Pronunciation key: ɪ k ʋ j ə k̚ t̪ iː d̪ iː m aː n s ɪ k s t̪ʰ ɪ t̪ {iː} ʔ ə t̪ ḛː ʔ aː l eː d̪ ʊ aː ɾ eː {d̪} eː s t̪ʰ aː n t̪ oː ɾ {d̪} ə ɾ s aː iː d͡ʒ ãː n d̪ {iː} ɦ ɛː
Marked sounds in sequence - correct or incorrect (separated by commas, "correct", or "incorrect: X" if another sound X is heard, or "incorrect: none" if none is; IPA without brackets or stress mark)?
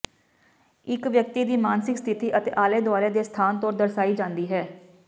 correct, correct, correct, correct